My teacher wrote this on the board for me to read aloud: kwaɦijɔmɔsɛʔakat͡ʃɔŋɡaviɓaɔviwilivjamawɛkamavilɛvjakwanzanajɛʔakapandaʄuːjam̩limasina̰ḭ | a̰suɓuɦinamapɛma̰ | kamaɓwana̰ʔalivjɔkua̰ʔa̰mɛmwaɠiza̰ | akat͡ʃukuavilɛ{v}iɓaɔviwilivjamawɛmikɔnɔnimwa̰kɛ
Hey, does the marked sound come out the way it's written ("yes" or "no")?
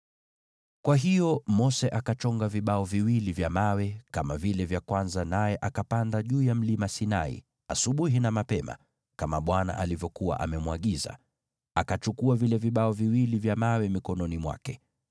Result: yes